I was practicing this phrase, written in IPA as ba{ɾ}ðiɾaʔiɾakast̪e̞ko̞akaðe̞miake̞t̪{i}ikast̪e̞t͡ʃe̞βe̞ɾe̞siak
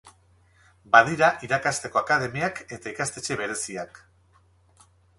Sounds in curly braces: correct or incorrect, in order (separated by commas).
incorrect, incorrect